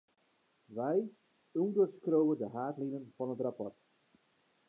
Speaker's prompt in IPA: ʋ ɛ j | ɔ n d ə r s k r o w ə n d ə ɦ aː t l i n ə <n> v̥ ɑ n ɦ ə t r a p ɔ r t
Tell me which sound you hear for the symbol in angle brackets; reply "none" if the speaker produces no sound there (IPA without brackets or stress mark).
n